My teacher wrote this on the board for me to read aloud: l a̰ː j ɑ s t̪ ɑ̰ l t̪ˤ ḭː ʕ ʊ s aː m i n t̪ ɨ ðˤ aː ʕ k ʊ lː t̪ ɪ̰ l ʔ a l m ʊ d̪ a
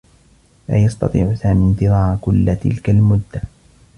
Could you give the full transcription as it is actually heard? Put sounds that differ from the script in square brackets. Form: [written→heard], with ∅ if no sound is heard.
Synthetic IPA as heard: l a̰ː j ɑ s t̪ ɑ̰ [l→∅] t̪ˤ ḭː ʕ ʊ s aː m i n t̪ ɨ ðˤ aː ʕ k ʊ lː t̪ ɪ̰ l [ʔ→k] a l m ʊ [d̪→d̪ː] a